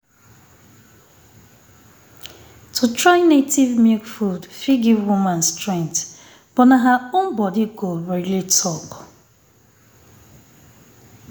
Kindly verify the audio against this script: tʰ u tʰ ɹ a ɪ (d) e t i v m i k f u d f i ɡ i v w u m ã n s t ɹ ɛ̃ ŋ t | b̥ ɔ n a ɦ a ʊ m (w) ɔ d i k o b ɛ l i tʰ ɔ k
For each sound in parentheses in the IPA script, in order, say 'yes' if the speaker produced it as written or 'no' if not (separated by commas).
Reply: no, no